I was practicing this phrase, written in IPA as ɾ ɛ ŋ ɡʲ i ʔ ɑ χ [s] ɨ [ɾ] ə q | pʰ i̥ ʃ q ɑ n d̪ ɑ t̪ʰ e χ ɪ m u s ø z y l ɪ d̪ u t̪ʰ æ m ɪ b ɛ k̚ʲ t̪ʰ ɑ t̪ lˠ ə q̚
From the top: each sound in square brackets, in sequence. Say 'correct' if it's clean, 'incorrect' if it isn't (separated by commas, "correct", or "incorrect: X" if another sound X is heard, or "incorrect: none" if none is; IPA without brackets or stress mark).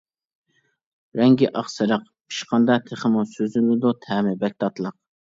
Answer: correct, correct